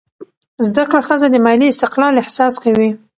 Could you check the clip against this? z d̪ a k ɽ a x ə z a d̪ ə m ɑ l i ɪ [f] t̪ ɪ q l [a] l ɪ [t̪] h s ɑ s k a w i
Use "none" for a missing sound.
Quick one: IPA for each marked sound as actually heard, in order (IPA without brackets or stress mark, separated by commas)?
s, ɑ, none